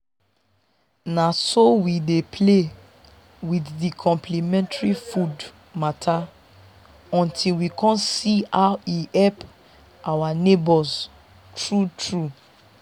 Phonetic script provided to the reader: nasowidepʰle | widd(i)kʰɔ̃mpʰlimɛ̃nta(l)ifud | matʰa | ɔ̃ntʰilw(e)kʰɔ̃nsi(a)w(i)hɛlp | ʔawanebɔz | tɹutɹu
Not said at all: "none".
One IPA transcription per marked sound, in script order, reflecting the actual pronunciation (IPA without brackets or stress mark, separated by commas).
i, ɹ, i, a, i